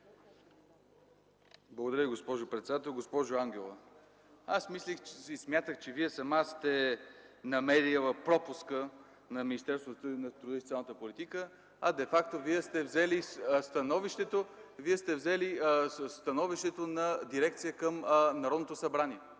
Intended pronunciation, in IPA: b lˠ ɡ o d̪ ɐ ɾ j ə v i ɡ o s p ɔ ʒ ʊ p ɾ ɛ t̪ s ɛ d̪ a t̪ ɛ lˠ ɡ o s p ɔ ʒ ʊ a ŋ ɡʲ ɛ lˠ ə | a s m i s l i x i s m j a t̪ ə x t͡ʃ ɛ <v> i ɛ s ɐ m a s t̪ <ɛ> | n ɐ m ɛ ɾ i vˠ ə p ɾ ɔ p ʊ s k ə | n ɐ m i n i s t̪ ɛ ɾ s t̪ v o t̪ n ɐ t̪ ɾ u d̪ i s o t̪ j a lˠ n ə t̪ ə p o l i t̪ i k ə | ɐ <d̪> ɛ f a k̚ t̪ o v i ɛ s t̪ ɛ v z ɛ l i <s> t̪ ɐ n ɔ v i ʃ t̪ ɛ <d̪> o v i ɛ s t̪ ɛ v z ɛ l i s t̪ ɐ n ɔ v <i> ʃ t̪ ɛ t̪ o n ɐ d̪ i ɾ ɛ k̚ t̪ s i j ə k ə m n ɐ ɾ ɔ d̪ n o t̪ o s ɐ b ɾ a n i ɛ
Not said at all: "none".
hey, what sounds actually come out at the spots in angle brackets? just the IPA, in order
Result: v, ɛ, d̪, s, t̪, i

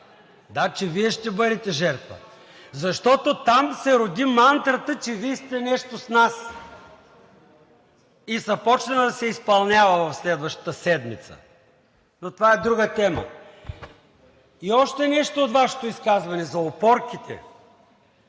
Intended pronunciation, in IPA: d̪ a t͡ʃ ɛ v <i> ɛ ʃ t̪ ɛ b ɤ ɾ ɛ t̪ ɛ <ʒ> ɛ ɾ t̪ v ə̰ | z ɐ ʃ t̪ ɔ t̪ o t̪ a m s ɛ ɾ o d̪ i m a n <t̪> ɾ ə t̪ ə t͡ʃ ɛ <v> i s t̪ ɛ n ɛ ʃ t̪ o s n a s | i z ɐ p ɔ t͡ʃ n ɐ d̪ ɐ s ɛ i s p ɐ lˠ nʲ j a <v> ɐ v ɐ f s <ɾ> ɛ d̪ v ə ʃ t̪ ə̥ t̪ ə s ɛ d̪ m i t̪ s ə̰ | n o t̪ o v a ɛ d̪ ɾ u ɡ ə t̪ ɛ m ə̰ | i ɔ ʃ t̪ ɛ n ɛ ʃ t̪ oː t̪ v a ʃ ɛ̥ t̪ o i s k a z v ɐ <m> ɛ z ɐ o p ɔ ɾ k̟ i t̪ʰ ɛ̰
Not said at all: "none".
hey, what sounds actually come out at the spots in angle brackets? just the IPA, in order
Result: i, ʒ, t̪, v, v, l, n

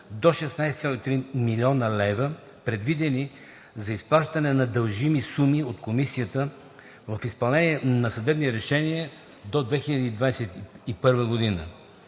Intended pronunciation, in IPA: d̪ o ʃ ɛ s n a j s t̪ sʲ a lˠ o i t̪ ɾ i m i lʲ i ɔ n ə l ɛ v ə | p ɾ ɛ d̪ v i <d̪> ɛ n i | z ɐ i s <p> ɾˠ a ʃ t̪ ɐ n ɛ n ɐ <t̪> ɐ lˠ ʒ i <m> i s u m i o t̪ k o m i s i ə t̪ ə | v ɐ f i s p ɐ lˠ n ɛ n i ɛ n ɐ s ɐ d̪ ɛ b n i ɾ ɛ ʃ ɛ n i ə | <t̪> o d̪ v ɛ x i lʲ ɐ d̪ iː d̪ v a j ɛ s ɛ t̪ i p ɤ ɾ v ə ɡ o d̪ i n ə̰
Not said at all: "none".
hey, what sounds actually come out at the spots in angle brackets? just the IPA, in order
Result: d̪, p, d̪, m, d̪

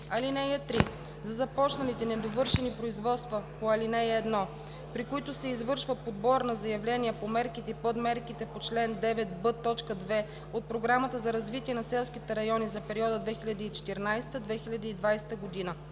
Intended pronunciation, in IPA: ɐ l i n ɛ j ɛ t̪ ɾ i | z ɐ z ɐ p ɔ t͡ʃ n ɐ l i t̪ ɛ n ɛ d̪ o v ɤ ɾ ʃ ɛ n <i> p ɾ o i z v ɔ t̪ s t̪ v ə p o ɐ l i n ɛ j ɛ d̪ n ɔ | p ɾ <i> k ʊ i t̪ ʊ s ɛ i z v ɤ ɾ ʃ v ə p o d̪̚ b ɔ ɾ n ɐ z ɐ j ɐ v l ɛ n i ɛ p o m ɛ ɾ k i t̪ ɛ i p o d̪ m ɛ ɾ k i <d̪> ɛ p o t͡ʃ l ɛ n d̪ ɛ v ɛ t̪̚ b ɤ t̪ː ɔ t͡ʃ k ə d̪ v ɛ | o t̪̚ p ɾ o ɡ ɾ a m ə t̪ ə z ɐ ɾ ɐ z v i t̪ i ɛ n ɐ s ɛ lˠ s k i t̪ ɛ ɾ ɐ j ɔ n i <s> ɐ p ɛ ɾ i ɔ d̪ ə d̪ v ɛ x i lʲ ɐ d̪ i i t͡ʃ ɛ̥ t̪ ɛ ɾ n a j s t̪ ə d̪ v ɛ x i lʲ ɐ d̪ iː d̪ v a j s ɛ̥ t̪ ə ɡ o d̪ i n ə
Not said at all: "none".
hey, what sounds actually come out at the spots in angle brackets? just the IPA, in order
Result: i, i, t̪, z

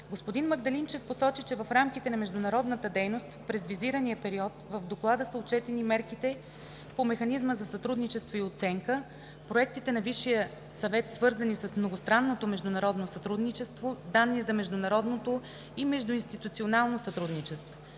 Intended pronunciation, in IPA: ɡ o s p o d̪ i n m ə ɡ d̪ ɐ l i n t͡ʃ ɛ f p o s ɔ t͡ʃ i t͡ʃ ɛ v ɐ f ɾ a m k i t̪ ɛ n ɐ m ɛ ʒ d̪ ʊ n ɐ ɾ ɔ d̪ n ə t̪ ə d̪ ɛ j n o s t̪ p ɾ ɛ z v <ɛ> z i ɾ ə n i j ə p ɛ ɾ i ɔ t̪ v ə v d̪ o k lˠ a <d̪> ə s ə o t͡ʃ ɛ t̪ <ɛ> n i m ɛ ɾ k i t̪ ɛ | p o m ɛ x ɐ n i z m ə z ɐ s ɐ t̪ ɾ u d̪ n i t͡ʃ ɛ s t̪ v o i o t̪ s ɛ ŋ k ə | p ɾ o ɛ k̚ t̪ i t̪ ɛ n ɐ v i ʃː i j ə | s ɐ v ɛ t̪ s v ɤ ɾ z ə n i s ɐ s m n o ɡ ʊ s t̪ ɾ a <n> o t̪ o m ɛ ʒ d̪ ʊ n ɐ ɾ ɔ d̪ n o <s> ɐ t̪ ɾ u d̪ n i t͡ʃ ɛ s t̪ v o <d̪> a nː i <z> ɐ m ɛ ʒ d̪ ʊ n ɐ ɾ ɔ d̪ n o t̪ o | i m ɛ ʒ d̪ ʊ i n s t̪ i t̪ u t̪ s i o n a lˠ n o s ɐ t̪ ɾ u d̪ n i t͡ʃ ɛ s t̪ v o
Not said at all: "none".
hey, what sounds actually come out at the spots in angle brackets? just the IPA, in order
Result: i, d̪, ɛ, nː, s, d̪, z

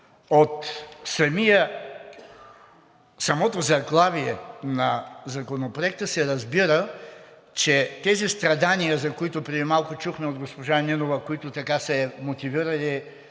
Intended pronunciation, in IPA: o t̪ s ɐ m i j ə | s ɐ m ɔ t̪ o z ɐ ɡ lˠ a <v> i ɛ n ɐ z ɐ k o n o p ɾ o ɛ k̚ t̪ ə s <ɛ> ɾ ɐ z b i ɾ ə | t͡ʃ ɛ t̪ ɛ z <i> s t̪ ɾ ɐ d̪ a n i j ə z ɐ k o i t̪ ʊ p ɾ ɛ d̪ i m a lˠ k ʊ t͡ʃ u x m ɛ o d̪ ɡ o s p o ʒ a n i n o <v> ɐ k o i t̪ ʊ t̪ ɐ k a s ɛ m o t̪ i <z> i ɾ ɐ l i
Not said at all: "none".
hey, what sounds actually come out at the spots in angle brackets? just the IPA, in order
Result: v, ɛ, i, v, v

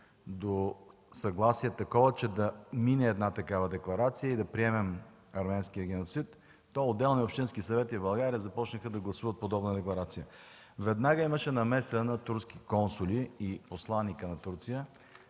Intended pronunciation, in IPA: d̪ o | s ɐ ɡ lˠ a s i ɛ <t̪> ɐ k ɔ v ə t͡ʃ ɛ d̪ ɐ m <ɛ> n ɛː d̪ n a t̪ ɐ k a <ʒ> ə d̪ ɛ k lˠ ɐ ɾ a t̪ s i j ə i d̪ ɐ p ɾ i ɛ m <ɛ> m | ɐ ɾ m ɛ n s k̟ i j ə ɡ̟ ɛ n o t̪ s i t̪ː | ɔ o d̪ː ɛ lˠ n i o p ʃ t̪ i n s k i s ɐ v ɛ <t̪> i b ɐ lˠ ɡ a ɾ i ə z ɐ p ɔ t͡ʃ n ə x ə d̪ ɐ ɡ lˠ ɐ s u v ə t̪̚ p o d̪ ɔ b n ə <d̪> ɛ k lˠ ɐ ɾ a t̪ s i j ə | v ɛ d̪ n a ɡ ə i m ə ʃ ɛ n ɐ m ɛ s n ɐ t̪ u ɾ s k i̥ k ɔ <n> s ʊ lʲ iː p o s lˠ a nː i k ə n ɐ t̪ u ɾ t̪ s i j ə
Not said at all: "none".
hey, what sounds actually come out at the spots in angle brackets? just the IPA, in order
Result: t̪, i, v, ɛ, t̪, d̪, n

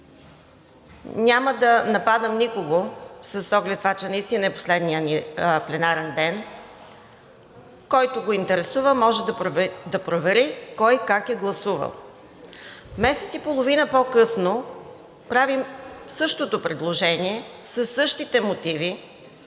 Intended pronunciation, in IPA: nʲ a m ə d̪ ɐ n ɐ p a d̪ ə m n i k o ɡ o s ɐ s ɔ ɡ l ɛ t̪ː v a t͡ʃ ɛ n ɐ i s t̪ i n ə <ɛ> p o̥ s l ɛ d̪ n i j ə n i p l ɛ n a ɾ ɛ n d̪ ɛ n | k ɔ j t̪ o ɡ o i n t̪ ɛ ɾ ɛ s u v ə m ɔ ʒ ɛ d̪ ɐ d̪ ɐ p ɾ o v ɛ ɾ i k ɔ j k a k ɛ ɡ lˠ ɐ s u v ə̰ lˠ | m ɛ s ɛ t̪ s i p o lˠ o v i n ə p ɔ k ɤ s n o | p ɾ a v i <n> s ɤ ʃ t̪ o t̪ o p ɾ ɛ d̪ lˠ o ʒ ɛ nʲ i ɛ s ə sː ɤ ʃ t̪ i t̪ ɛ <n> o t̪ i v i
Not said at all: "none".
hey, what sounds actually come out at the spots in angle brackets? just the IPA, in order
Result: ɛ, m, m

